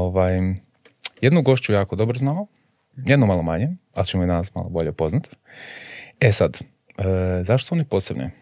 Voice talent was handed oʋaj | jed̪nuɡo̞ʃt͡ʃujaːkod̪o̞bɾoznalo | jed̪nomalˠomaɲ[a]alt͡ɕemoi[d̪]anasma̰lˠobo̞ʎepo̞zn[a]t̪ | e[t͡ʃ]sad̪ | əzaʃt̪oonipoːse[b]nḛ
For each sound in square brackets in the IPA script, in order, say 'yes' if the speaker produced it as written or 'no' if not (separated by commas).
no, yes, yes, no, yes